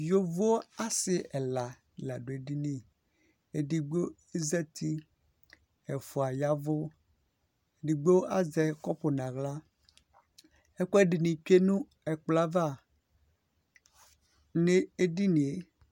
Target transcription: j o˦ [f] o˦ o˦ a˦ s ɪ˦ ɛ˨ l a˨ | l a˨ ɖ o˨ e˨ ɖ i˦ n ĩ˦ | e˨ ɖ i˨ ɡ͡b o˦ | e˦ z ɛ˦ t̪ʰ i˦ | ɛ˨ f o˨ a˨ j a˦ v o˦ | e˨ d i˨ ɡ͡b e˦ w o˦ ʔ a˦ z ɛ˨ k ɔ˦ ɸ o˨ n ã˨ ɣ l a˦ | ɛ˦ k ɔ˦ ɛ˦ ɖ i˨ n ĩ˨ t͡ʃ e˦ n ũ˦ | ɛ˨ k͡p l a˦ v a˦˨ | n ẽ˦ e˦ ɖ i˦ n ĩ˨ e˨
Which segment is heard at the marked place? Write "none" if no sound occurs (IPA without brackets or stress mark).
v